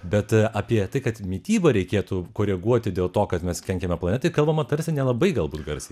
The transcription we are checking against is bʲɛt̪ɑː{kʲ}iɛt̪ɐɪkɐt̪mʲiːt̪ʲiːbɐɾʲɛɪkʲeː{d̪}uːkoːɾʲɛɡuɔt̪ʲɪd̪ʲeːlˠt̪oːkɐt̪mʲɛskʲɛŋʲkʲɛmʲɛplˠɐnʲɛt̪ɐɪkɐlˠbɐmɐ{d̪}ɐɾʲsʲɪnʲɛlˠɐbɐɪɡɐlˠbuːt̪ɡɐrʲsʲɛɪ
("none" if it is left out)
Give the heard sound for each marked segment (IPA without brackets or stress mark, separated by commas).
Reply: pʲ, t̪, t̪